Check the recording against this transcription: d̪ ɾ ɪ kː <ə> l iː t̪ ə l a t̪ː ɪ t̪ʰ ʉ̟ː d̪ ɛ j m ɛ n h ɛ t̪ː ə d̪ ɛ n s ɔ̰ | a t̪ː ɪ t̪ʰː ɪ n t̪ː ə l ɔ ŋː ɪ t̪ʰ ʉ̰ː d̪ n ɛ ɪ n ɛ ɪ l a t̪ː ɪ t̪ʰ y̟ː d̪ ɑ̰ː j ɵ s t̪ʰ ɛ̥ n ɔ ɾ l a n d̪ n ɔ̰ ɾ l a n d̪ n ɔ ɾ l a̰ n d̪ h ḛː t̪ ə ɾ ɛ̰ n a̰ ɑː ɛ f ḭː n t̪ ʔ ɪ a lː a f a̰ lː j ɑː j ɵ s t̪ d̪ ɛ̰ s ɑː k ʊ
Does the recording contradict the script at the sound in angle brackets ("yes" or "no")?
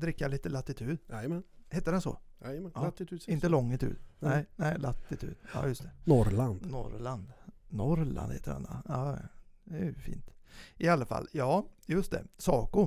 yes